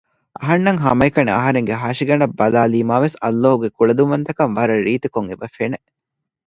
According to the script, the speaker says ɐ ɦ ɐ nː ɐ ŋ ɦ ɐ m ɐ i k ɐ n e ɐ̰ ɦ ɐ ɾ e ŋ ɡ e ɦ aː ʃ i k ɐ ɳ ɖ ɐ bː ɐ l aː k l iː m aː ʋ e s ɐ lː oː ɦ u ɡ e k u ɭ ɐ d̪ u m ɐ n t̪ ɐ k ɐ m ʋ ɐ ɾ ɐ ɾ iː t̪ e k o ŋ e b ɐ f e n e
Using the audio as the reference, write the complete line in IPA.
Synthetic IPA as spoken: ɐ ɦ ɐ nː ɐ ŋ ɦ ɐ m ɐ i k ɐ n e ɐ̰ ɦ ɐ ɾ e ŋ ɡ e ɦ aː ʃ i ɡ ɐ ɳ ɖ ɐ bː ɐ l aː l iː m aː ʋ e s ɐ lː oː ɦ u ɡ e k u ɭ ɐ d̪ u m ɐ n t̪ ɐ k ɐ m ʋ ɐ ɾ ɐ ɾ iː t̪ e k o ŋ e b ɐ f e n e